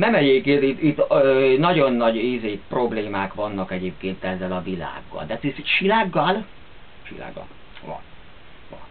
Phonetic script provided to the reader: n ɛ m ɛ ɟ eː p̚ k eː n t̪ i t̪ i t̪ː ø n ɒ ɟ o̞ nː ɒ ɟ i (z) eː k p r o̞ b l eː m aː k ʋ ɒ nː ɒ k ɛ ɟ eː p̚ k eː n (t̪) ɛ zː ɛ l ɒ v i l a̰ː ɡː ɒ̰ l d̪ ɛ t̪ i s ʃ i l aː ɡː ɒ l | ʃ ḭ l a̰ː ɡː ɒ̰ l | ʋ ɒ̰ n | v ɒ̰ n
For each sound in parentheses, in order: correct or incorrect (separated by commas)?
correct, correct